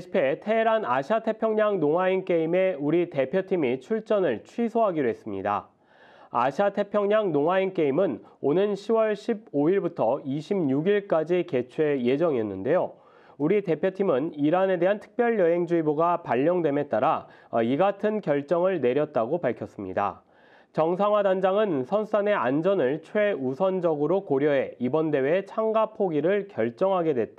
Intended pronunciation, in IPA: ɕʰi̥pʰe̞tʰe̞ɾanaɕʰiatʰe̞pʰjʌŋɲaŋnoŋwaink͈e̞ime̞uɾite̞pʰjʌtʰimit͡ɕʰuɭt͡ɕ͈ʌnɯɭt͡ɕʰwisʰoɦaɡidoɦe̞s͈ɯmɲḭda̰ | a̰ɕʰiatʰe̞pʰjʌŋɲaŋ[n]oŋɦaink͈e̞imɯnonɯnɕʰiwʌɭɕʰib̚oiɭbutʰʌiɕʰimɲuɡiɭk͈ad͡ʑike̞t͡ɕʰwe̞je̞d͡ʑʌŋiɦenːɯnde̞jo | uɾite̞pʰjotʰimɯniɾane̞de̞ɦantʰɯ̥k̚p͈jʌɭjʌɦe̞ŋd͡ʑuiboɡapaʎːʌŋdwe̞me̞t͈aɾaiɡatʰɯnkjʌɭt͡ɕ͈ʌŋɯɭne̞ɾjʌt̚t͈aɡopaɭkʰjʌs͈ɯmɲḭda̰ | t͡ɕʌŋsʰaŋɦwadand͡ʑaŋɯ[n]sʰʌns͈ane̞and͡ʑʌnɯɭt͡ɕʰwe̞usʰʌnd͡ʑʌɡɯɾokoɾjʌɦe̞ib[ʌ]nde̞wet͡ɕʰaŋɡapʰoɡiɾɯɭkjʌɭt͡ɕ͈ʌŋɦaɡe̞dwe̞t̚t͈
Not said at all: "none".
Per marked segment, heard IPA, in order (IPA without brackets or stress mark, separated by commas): n, n, ʌ